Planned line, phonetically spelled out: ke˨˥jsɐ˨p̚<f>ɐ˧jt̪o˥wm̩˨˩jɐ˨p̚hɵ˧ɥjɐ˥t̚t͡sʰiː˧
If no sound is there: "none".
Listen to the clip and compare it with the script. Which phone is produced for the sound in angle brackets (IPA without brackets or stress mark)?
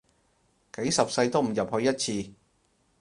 s